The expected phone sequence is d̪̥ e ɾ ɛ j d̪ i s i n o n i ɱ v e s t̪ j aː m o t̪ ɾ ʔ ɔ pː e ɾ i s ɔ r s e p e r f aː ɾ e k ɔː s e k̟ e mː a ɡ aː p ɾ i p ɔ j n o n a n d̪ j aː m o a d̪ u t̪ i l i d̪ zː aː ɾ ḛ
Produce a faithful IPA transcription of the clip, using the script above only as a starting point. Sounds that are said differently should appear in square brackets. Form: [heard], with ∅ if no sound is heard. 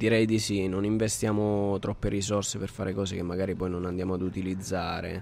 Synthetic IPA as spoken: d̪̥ [i] ɾ ɛ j d̪ i s i n o n i ɱ v e s t̪ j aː m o t̪ ɾ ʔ ɔ pː e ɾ i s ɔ r s e p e r f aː ɾ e k ɔː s e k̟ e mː a ɡ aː [∅] ɾ i p ɔ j n o n a n d̪ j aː m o a d̪ u t̪ i l i d̪ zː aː ɾ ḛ

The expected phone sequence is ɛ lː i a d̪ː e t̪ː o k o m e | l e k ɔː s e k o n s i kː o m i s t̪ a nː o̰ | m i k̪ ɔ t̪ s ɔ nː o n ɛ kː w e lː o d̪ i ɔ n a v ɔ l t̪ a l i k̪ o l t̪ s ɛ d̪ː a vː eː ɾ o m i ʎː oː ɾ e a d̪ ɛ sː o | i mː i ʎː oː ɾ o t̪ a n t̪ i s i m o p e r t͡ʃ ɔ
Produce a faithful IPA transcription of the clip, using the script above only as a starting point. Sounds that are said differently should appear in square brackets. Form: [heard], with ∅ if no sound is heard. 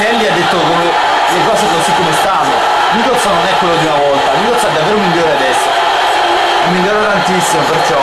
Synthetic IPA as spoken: ɛ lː i a d̪ː e t̪ː o k o m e | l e k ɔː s e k o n s i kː o m [e] s t̪ a nː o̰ | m i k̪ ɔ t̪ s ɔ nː o n ɛ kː w e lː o d̪ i [u] n a v ɔ l t̪ a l i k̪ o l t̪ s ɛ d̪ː a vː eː ɾ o m i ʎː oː ɾ e a d̪ ɛ sː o | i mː i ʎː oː ɾ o t̪ a n t̪ i [sː] i m o p e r t͡ʃ ɔ

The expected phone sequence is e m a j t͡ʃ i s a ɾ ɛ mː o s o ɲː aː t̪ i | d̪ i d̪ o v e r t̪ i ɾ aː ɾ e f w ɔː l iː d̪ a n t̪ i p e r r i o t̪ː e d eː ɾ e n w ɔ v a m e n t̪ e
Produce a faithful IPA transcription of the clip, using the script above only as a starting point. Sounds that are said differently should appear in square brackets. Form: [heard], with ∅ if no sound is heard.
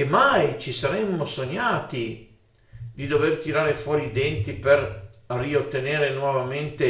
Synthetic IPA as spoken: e m a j t͡ʃ i s a ɾ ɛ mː o s o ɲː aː t̪ i | d̪ i d̪ o v e r t̪ i ɾ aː ɾ e f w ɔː [ɾ] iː d̪ [ɛ] n t̪ i p e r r i o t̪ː e [n] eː ɾ e n w ɔ v a m e n t̪ e

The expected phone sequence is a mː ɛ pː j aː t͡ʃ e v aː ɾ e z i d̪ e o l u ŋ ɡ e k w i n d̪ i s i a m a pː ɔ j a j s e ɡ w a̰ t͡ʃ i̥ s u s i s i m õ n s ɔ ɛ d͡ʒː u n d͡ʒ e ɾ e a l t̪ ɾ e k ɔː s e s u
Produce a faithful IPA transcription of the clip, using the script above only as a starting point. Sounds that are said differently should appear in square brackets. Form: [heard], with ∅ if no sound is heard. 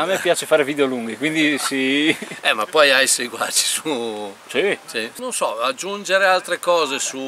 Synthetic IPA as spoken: a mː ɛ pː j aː t͡ʃ e [f] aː ɾ e [v] i d̪ e o l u ŋ ɡ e k w i n d̪ i s i [ɛ] m a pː ɔ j a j s e ɡ w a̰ t͡ʃ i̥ s u s i s i [n] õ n s ɔ [a] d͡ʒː u n d͡ʒ e ɾ e a l t̪ ɾ e k ɔː [z] e s u

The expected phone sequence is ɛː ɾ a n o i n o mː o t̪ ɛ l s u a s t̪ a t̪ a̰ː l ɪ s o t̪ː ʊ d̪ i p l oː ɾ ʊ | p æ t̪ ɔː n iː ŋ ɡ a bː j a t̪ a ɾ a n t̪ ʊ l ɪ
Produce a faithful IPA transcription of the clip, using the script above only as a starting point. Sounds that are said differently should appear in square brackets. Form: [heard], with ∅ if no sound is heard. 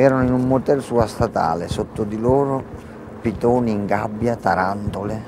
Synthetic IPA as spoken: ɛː ɾ a n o i n [u] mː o t̪ ɛ l s u a s t̪ a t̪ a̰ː l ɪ s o t̪ː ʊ d̪ i [∅] l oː ɾ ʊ | p [i] t̪ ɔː n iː ŋ ɡ a bː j a t̪ a ɾ a n t̪ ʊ l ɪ

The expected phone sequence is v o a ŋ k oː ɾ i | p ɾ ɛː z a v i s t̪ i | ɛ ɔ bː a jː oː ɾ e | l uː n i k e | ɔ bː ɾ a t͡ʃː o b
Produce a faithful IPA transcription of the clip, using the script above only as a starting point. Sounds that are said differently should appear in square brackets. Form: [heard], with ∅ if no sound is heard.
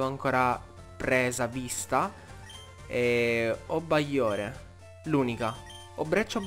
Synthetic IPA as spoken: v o a ŋ k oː ɾ [a] | p ɾ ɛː z a v i s t̪ [a] | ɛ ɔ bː a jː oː ɾ e | l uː n i k [a] | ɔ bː ɾ [ɛ] t͡ʃː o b

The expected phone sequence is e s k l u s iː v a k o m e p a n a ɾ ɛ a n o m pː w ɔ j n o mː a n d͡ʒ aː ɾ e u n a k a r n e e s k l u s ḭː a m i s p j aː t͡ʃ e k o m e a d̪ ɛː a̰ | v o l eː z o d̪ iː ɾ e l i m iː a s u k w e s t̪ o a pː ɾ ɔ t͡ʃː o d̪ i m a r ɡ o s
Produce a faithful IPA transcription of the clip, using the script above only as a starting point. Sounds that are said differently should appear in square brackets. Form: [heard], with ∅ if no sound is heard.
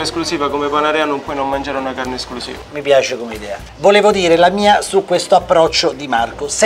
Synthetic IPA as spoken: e s k l u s iː v a k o m e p a n a ɾ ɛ a n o m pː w ɔ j n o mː a n d͡ʒ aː ɾ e u n a k a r n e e s k l u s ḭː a m i [∅] p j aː t͡ʃ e k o m e [i] d̪ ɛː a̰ | v o l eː [v] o d̪ iː ɾ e l [a] m iː a s u k w e s t̪ o a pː ɾ ɔ t͡ʃː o d̪ i m a r [k] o s

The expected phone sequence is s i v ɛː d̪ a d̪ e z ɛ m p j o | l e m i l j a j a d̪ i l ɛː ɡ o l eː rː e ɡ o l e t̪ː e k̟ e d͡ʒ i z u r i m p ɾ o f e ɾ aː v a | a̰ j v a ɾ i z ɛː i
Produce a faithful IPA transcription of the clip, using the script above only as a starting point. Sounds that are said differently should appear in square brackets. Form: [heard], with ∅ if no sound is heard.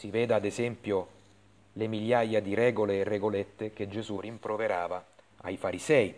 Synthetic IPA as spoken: s i v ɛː d̪ a d̪ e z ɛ m p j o | l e m i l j a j a d̪ i [ɾ] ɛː ɡ o l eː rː e ɡ o l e t̪ː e k̟ e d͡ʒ [e] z u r i m p ɾ o [v] e ɾ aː v a | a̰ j [f] a ɾ i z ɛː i

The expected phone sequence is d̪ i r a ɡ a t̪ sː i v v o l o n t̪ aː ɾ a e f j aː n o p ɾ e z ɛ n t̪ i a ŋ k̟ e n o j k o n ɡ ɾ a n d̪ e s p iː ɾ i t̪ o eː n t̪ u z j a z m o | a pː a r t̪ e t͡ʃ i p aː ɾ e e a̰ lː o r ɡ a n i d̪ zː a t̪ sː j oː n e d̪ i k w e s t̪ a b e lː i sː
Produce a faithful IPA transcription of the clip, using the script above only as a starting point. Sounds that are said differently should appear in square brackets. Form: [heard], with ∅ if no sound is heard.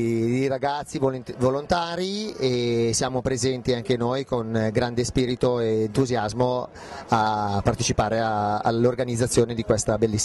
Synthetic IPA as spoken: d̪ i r a ɡ a t̪ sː i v v o l o n t̪ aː ɾ [i] e [s] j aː [m] o p ɾ e z ɛ n t̪ i a ŋ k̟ e n o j k o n ɡ ɾ a n d̪ e s p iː ɾ i t̪ o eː n t̪ u z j a z m o | a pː a r t̪ e t͡ʃ i p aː ɾ e [a] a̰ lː o r ɡ a n i d̪ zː a t̪ sː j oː n e d̪ i k w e s t̪ a b e lː i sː

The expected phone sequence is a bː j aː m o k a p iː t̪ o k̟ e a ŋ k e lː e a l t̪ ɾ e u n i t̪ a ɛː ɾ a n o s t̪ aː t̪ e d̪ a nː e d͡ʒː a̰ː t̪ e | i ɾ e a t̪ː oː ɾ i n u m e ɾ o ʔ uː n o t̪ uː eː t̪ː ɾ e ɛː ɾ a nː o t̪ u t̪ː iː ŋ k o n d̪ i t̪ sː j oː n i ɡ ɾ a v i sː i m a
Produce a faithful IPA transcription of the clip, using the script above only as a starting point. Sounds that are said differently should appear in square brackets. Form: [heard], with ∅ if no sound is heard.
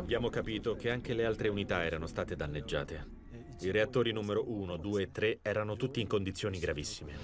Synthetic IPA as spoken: a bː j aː m o k a p iː t̪ o k̟ e a ŋ k e [l] e a l t̪ ɾ e u n i t̪ a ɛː ɾ a n o s t̪ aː t̪ e d̪ a nː e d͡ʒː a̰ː t̪ e | i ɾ e a t̪ː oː ɾ i n u m e ɾ o ʔ uː n o [d̪] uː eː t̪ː ɾ e ɛː ɾ a [n] o t̪ u t̪ː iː ŋ k o n d̪ i t̪ sː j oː n i ɡ ɾ a v i sː i m [e]

